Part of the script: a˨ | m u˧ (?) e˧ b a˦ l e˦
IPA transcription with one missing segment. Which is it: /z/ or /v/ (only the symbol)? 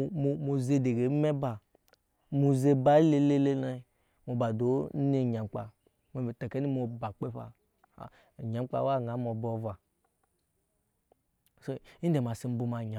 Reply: z